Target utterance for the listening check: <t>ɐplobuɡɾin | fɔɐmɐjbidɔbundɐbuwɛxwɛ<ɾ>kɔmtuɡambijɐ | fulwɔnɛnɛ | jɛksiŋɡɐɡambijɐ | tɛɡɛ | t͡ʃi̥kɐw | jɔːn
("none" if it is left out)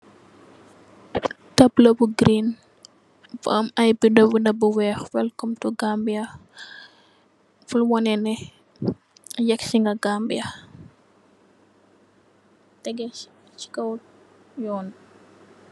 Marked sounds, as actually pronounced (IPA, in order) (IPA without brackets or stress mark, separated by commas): t, l